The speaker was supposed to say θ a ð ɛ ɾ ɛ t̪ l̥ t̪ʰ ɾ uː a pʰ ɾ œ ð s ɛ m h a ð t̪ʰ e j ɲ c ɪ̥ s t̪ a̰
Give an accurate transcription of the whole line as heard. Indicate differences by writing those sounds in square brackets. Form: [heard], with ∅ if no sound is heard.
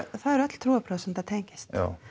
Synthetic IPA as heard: θ a ð ɛ ɾ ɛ t̪ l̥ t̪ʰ ɾ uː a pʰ ɾ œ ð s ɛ m [θ] a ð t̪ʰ e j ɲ c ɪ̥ s t̪ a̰